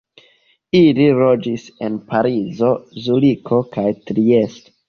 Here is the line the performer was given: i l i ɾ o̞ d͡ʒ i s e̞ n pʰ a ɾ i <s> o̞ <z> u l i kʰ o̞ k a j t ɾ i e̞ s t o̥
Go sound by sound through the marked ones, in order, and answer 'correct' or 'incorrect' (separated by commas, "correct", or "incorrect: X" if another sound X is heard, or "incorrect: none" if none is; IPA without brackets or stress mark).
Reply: incorrect: z, correct